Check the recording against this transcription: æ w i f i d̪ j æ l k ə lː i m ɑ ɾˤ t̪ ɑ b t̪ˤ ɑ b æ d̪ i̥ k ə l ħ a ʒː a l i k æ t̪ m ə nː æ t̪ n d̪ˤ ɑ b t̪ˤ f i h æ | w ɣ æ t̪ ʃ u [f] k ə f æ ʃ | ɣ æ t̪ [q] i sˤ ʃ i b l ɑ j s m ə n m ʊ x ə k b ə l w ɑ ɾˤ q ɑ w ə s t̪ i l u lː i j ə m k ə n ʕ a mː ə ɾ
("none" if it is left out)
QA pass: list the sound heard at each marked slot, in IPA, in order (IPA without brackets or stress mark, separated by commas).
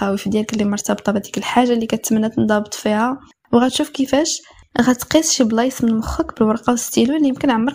f, q